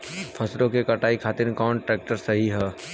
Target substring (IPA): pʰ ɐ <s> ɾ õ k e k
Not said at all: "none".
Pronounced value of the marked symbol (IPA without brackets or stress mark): s